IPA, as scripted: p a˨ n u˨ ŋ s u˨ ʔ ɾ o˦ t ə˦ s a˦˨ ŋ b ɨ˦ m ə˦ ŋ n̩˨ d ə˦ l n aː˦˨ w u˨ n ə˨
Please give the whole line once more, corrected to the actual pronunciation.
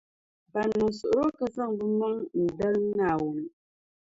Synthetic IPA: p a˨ n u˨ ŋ s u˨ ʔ ɾ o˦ k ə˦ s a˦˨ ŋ b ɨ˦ m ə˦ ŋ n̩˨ d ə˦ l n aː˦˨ w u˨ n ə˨